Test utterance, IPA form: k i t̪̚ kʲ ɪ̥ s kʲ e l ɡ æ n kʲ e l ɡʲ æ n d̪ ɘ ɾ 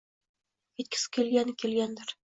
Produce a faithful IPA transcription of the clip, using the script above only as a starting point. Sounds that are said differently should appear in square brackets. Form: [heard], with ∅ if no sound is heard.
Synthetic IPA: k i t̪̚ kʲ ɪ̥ s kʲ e l ɡ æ n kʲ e l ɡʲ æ n d̪ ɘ ɾ